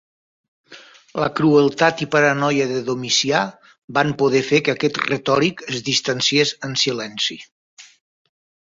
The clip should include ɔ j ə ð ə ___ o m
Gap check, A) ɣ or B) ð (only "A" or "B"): B